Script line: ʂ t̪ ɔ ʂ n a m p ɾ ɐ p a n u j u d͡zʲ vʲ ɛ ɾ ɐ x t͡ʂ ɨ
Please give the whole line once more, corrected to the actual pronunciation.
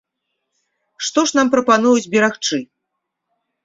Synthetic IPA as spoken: ʂ t̪ ɔ ʂ n a m p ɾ ɐ p a n u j u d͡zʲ bʲ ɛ ɾ a x t͡ʂ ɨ